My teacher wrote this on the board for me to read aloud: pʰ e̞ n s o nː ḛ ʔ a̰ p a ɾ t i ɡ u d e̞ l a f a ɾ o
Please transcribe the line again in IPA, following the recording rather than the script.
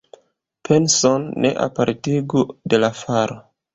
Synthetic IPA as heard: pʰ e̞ n s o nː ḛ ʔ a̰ p a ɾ t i ɡ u d e̞ l a f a ɾ o